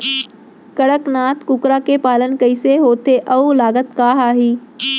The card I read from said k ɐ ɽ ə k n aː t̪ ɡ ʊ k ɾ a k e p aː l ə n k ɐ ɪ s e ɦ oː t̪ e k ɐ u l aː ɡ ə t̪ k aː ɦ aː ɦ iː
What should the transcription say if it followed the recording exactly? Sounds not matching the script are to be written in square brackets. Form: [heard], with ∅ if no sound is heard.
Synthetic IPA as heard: k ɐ ɽ ə k n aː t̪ [k] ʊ k ɾ a k e p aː l ə n k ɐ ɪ s e ɦ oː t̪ e [ʔ] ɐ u l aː ɡ ə t̪ k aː ɦ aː ɦ iː